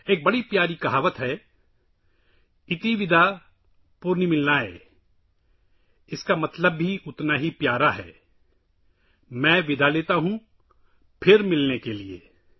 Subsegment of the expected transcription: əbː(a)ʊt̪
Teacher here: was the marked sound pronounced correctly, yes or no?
no